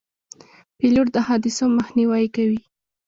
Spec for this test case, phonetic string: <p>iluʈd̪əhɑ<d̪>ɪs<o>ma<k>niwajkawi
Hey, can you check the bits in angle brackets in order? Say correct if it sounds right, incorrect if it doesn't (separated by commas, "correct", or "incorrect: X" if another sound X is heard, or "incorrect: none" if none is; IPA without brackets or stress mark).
correct, correct, correct, incorrect: x